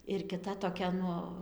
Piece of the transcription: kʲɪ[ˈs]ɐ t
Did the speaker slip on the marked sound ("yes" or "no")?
yes